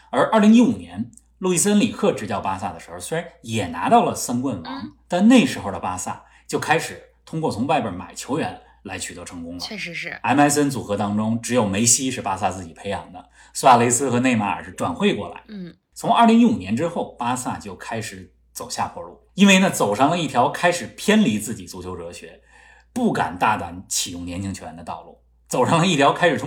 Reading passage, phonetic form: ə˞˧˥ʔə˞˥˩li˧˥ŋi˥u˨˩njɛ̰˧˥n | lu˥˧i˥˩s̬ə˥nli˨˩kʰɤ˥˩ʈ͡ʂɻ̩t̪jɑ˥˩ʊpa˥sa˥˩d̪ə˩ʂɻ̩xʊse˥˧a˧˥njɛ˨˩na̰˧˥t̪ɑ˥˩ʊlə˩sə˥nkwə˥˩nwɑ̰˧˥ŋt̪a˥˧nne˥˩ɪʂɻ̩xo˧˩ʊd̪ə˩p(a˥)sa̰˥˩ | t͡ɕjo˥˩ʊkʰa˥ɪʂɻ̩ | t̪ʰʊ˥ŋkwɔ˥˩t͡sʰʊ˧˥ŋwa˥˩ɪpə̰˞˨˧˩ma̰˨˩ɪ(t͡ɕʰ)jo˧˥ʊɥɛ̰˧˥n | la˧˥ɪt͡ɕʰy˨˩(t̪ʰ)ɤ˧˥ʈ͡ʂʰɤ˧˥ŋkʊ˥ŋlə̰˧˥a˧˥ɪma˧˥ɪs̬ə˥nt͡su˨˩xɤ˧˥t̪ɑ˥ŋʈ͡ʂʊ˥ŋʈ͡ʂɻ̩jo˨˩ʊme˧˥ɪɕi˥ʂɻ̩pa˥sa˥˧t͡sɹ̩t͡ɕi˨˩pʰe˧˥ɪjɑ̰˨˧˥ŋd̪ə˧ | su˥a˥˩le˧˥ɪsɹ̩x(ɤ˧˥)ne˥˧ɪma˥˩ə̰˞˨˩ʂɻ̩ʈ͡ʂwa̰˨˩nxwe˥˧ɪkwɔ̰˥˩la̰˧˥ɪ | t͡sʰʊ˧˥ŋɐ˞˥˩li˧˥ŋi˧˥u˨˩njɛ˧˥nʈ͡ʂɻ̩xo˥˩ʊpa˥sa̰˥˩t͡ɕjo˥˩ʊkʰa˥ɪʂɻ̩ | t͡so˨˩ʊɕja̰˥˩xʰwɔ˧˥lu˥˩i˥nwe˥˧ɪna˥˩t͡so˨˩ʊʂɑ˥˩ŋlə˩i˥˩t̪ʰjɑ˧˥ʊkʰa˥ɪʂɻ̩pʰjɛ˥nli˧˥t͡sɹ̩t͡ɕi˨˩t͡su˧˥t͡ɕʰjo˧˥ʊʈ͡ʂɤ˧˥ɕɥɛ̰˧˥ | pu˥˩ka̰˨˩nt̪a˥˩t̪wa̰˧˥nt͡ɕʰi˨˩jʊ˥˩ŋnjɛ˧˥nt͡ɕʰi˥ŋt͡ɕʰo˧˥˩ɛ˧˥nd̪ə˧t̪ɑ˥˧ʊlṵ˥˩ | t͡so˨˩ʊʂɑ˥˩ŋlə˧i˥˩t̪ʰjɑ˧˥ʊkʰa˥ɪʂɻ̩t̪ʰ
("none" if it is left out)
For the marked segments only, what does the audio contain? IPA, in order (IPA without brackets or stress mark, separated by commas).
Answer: a˥, t͡ɕʰ, t̪, ɤ˧˥